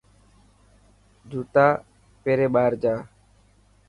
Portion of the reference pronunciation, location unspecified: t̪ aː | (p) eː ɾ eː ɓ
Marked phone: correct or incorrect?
correct